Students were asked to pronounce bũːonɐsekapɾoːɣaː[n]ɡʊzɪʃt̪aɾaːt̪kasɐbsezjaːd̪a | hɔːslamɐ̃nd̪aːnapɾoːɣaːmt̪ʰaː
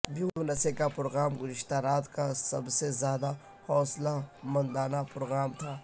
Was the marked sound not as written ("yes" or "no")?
yes